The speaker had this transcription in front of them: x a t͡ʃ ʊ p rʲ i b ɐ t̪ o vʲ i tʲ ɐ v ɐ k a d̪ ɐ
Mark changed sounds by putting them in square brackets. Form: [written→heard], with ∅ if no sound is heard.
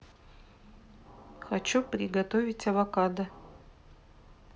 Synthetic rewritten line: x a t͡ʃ [ʊ→u] p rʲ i [b→ɡ] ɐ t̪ o vʲ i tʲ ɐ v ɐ k a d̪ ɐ